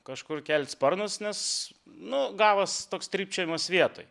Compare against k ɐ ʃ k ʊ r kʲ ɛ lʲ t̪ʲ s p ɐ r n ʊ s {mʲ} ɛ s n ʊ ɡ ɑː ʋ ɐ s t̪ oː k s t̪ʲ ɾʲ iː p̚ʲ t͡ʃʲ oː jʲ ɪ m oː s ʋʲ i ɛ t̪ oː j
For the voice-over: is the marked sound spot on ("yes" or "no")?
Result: no